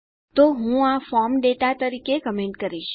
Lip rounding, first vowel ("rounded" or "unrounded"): rounded